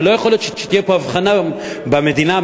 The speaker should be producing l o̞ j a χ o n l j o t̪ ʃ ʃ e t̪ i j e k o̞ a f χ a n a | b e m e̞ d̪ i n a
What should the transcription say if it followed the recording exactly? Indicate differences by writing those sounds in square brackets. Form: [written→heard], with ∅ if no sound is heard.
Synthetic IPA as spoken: l o̞ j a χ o [n→∅] l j o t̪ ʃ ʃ e t̪ i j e [k→p] o̞ a [f→v] χ a n a | b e m e̞ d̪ i n a

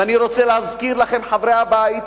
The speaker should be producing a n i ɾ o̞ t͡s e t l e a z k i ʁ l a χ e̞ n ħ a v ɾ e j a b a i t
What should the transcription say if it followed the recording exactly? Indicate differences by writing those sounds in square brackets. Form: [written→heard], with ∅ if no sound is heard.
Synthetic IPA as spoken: a n i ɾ o̞ t͡s e [t→∅] l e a z k i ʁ l a χ e̞ [n→m] ħ a v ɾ e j a b a i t

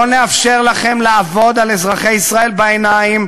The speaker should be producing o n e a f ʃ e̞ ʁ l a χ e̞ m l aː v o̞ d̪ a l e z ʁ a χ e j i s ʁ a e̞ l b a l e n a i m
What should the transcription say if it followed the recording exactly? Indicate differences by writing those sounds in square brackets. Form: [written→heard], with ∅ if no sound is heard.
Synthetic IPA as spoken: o n e a f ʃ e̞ ʁ l a χ e̞ m l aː v o̞ d̪ a l e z ʁ a χ e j i s ʁ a e̞ l b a [l→∅] e n a i m

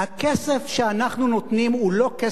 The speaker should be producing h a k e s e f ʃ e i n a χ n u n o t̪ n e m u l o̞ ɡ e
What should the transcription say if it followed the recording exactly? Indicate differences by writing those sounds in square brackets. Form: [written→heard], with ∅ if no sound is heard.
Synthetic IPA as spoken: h a k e s e f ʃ e [i→a] n a χ n u n o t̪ n [e→i] m u l o̞ [ɡ→k] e

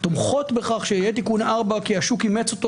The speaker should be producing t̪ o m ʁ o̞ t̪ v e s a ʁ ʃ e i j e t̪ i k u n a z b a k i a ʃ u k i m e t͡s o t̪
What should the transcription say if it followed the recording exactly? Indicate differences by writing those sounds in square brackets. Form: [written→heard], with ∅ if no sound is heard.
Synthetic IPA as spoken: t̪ o m [ʁ→χ] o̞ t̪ [v→b] e [s→χ] a [ʁ→χ] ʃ e i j e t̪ i k u n a [z→ʁ] b a k i a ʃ u k i m e t͡s o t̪

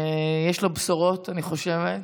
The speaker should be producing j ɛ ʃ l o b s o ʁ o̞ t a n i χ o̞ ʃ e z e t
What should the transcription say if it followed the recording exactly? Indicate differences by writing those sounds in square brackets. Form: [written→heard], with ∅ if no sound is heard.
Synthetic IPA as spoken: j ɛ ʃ l o b s o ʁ o̞ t a n i χ o̞ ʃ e [z→v] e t

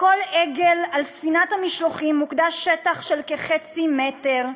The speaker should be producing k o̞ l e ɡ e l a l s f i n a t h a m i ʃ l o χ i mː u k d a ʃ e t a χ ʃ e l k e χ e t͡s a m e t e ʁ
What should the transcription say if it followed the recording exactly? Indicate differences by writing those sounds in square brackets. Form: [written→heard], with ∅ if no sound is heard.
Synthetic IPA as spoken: k o̞ l e ɡ e l a l s f i n a t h a m i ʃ l o χ i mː u k d a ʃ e t a χ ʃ e l k e χ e t͡s [a→i] m e t e ʁ

